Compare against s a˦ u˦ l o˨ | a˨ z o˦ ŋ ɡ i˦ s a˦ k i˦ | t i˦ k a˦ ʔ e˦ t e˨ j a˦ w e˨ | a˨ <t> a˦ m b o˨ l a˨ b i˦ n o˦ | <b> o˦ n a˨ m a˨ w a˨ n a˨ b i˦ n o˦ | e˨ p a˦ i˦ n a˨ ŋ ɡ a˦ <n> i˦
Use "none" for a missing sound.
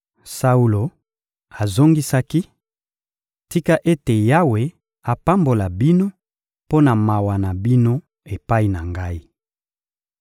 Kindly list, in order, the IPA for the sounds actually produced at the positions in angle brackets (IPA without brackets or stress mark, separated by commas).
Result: p, p, none